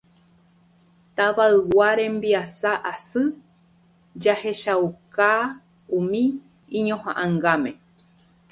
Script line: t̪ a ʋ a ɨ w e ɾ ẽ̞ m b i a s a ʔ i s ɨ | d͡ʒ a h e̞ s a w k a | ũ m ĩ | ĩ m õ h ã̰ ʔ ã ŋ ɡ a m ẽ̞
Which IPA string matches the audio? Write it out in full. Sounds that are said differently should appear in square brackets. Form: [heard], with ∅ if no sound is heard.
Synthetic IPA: t̪ a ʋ a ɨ w [a] ɾ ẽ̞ m b i a s a ʔ [a] s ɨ | d͡ʒ a h e̞ [ʃ] a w k a | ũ m ĩ | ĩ [ɲ] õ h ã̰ ʔ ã ŋ ɡ a m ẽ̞

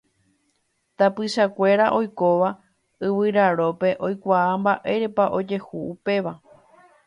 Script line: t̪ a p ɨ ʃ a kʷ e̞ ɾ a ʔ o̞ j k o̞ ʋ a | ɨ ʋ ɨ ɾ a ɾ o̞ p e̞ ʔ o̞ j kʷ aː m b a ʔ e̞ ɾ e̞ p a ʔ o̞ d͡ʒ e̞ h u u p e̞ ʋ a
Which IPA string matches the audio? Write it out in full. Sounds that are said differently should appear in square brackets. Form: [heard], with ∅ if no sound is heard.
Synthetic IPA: t̪ a p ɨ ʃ a kʷ e̞ ɾ a ʔ o̞ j k o̞ ʋ a | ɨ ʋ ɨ ɾ a ɾ o̞ p e̞ ʔ o̞ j kʷ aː m b a ʔ e̞ ɾ e̞ p a ʔ o̞ d͡ʒ e̞ h u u p e̞ ʋ a

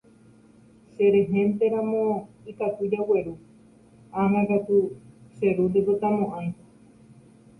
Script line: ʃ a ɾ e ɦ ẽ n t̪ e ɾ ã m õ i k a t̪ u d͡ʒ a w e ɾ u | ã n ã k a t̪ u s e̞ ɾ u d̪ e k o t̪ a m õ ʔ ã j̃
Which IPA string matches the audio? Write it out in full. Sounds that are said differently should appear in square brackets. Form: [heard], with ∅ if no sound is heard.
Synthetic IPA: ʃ [e] ɾ e ɦ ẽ n t̪ e ɾ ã m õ i k a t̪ u d͡ʒ a w e ɾ u | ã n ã k a t̪ u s e̞ ɾ u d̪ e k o t̪ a m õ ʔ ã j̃

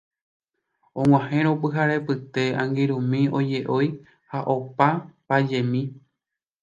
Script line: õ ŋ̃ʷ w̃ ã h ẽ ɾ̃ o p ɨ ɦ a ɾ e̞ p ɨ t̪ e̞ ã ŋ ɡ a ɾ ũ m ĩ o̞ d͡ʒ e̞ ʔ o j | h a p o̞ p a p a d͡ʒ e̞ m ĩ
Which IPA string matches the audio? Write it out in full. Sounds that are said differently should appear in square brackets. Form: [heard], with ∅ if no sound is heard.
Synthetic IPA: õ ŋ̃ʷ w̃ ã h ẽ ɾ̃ o p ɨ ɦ a ɾ e̞ p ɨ t̪ e̞ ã ŋ ɡ [i] ɾ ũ m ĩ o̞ d͡ʒ e̞ ʔ o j | h a [ʔ] o̞ p a p a d͡ʒ e̞ m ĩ

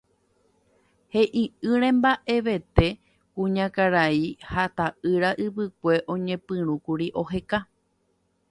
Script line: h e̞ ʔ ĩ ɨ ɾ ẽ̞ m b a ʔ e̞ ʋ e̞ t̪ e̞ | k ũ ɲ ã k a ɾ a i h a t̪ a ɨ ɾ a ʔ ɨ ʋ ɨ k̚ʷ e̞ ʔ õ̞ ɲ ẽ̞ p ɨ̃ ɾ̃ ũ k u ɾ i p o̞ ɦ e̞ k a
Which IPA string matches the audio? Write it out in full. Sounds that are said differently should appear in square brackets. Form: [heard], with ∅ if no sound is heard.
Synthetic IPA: h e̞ ʔ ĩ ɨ ɾ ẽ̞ m b a ʔ e̞ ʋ e̞ t̪ e̞ | k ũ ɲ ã k a ɾ a i h a t̪ a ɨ ɾ a ʔ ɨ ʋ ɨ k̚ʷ e̞ ʔ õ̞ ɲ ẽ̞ p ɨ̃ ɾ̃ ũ k u ɾ i [ʔ] o̞ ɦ e̞ k a

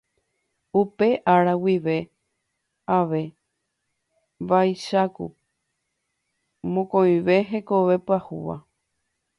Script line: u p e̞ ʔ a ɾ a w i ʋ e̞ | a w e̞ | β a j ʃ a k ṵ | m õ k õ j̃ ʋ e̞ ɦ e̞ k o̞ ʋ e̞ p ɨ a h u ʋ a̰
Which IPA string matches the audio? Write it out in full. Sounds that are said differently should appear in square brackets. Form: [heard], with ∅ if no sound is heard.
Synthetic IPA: u p e̞ ʔ a ɾ a w i ʋ e̞ | a [ʋ] e̞ | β a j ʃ a k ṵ | m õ k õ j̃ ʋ e̞ ɦ e̞ k o̞ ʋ e̞ p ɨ a h u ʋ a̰

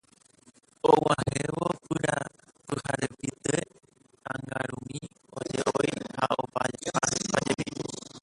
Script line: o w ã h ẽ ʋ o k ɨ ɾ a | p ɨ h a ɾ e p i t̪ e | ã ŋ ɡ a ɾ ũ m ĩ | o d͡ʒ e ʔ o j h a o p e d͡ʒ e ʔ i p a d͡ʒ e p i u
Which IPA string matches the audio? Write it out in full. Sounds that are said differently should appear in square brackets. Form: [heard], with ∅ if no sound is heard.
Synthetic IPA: o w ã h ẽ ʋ o [p] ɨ ɾ a | p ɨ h a ɾ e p i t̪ e | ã ŋ ɡ a ɾ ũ m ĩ | o d͡ʒ e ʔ o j h a o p [a] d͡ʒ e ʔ [a] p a d͡ʒ e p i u

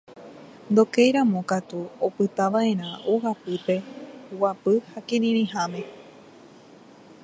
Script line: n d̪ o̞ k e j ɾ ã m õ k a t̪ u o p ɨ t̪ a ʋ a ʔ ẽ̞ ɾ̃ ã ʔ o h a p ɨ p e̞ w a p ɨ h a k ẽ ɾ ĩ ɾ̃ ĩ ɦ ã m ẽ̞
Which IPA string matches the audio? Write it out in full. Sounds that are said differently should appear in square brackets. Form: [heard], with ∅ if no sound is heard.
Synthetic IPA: n d̪ o̞ k e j ɾ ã m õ k a t̪ u o p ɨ t̪ a ʋ a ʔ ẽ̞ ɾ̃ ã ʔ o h a p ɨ p e̞ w a p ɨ h a k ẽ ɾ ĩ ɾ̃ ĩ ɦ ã m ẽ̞

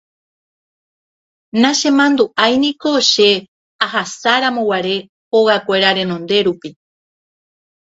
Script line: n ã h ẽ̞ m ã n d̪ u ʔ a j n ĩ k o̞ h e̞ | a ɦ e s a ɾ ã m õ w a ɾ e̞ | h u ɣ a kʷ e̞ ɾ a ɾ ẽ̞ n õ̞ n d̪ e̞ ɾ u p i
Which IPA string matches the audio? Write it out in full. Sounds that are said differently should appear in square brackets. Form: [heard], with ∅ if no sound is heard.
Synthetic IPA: n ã [ʃ] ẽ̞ m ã n d̪ u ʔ a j n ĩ k o̞ [ʃ] e̞ | a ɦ [a] s a ɾ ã m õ w a ɾ e̞ | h [o] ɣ a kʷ e̞ ɾ a ɾ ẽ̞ n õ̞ n d̪ e̞ ɾ u p i

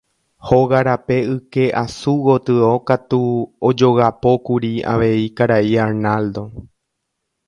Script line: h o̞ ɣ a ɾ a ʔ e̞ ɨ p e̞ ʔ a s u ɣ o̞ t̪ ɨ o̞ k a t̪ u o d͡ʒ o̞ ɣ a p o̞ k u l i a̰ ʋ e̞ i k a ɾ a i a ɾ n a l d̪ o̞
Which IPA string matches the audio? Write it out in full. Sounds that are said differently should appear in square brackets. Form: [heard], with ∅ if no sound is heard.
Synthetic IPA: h o̞ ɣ a ɾ a [p] e̞ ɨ [k] e̞ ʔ a s u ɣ o̞ t̪ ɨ o̞ k a t̪ u o d͡ʒ o̞ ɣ a p o̞ k u [ɾ] i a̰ ʋ e̞ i k a ɾ a i a ɾ n a l d̪ o̞

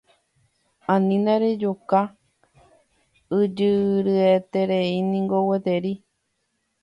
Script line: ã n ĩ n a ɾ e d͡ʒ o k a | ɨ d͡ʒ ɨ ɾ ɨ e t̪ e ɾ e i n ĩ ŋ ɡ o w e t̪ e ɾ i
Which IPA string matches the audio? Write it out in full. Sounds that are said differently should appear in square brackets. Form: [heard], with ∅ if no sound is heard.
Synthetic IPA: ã n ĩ n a ɾ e d͡ʒ o k a | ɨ d͡ʒ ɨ ɾ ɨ e t̪ e ɾ e i n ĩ ŋ ɡ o w e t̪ e ɾ i

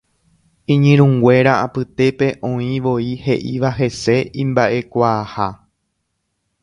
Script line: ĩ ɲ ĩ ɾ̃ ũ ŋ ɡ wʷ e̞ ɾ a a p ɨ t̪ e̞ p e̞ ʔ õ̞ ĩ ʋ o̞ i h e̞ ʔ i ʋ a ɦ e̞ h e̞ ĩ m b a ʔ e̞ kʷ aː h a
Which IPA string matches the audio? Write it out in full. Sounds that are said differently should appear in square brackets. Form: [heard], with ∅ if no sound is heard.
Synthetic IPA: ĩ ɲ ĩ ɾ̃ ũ ŋ ɡ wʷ e̞ ɾ a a p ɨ t̪ e̞ p e̞ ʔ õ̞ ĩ ʋ o̞ i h e̞ ʔ i ʋ a ɦ e̞ [s] e̞ ĩ m b a ʔ e̞ kʷ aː h a

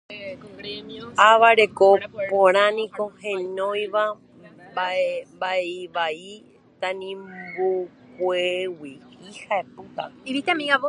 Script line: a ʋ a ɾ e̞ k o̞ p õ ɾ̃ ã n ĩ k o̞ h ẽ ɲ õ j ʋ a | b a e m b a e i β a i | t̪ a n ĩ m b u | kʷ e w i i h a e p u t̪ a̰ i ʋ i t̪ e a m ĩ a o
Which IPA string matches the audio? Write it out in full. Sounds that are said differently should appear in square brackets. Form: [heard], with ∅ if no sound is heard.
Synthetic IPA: a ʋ a ɾ e̞ k o̞ p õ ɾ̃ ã n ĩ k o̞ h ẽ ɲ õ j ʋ a | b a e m b a e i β a i | t̪ a n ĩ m b u | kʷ e w i i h a e p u t̪ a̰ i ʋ i t̪ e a m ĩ a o

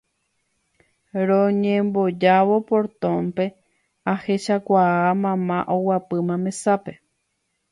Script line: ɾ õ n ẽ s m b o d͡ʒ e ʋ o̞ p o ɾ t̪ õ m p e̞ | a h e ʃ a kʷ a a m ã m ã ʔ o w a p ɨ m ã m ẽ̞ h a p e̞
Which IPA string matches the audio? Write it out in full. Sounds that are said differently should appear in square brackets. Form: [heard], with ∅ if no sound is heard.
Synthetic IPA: ɾ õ [ɲ] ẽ [∅] m b o d͡ʒ [a] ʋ o̞ p o ɾ t̪ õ m p e̞ | a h e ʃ a kʷ a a m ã m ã ʔ o w a p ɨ m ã m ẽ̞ [s] a p e̞

